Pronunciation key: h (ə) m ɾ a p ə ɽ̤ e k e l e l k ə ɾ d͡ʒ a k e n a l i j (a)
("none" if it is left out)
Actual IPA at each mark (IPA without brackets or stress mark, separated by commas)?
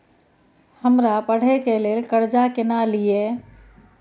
ə, e